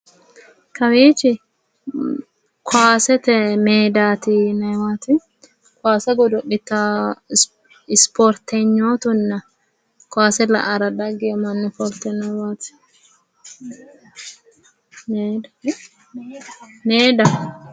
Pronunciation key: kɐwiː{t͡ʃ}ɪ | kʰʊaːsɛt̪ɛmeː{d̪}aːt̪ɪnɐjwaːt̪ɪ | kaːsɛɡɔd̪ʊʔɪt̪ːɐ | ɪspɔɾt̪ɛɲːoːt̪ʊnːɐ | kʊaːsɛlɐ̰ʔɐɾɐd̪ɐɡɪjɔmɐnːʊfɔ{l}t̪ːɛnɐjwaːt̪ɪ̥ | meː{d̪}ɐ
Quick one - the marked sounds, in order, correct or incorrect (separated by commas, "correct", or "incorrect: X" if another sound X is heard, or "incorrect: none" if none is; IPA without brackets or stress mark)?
correct, correct, incorrect: ɾ, correct